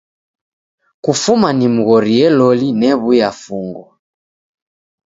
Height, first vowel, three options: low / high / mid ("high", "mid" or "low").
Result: high